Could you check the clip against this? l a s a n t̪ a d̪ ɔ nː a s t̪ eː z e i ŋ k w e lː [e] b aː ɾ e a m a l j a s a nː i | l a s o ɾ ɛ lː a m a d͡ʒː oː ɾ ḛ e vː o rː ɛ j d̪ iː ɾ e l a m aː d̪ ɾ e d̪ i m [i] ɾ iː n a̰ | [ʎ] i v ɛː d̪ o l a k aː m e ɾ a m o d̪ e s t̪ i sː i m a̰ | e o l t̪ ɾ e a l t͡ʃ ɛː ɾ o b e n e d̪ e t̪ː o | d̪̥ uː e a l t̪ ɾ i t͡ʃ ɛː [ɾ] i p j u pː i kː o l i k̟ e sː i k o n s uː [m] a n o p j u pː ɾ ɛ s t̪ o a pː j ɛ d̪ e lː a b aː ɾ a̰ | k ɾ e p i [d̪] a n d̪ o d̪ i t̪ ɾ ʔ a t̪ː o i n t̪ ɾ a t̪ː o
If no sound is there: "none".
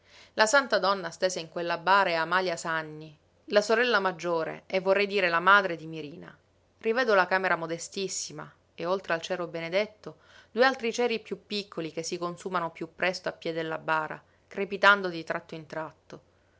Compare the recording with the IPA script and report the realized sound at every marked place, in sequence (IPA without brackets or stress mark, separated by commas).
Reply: a, i, r, ɾ, m, t̪